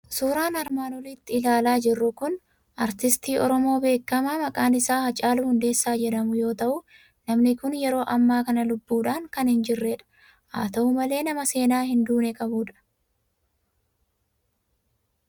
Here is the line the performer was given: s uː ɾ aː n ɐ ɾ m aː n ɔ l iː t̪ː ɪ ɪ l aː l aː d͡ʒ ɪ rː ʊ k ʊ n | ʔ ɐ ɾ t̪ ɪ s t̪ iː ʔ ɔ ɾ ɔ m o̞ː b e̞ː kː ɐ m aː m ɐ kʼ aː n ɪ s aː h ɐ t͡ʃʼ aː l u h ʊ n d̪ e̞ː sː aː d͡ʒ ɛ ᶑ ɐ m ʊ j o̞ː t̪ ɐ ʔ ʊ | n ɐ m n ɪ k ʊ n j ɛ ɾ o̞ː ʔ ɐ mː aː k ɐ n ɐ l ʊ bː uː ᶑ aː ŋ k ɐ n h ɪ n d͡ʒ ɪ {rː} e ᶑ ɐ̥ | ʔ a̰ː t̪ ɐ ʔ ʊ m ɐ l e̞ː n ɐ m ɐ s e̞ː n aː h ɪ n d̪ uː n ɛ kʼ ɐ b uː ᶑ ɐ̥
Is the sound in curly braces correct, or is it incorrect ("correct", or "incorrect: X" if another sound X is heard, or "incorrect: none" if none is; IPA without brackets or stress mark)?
correct